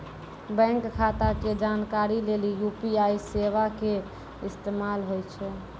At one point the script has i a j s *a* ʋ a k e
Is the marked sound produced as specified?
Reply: no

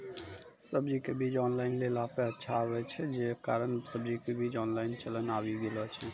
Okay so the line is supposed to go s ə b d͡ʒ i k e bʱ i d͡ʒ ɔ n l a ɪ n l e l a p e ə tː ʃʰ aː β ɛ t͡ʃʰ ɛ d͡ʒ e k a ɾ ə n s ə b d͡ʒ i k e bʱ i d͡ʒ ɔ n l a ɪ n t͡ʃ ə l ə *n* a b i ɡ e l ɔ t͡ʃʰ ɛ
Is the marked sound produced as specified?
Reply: yes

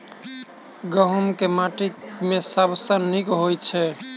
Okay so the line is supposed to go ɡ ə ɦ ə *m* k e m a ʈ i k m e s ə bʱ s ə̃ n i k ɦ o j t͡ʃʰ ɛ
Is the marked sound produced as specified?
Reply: yes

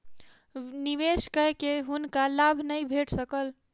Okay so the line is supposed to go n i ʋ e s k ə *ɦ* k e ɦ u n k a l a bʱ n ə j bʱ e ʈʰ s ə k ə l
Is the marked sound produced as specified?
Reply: yes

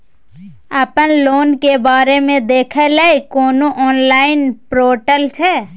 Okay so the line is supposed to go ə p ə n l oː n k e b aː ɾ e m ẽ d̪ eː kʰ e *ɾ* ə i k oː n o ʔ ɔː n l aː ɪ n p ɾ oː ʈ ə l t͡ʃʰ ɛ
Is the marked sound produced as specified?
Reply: no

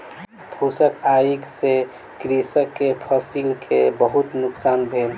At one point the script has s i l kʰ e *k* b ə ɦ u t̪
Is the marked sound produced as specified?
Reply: no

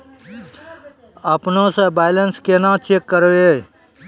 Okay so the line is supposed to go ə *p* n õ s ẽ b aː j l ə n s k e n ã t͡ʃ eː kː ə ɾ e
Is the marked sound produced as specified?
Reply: yes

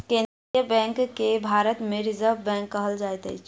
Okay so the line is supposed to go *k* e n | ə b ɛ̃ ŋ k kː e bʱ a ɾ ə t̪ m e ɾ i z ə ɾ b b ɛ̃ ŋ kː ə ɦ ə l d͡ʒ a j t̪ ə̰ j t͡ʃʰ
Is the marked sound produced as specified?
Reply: yes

